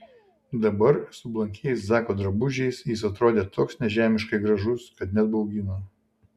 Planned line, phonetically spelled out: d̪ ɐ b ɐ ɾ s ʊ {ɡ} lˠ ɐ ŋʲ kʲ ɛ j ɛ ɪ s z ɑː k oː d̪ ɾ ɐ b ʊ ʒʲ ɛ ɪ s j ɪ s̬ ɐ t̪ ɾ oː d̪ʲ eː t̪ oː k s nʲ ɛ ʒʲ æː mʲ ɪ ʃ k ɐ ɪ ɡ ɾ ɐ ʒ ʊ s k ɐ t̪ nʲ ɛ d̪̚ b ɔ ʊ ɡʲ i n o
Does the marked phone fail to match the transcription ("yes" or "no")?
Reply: yes